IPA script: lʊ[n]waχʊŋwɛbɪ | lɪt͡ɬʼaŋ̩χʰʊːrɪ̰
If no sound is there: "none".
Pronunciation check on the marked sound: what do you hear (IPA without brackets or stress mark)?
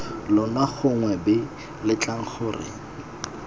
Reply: n